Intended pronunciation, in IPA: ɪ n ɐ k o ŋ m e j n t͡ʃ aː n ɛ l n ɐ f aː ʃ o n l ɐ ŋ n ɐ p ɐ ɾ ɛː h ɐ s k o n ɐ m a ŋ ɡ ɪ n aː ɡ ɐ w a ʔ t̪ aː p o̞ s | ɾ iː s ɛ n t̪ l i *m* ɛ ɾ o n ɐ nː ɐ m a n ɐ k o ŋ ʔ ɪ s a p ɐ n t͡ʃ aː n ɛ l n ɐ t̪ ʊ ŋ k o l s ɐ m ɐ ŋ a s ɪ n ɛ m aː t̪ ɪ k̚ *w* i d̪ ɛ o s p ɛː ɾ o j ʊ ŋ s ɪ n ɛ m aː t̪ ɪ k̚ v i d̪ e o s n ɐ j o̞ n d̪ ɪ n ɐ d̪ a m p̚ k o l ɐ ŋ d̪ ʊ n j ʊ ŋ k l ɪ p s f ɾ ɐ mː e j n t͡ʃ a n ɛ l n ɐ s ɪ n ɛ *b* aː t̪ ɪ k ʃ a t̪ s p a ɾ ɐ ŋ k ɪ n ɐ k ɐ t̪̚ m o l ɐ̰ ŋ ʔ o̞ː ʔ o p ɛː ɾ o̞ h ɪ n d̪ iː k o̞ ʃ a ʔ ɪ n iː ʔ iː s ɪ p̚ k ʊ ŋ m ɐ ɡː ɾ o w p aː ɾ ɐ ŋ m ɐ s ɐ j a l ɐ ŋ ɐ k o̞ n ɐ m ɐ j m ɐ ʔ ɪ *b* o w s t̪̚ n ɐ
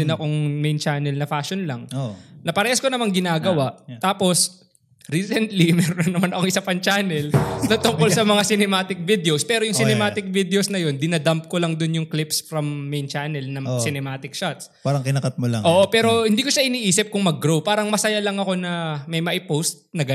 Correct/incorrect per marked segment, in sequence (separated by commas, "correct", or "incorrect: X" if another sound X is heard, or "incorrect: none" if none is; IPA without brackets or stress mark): correct, incorrect: v, incorrect: m, incorrect: p